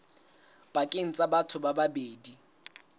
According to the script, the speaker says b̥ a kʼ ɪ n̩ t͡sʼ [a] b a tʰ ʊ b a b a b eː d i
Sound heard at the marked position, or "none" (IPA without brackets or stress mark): a